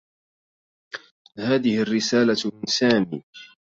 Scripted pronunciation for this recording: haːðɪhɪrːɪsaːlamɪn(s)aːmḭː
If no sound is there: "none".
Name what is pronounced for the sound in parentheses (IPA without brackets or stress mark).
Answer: s